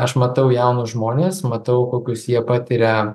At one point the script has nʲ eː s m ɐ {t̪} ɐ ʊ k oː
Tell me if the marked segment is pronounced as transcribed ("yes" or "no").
yes